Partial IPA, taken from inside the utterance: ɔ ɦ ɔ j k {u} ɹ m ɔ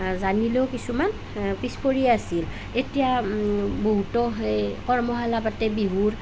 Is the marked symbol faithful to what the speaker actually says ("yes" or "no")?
no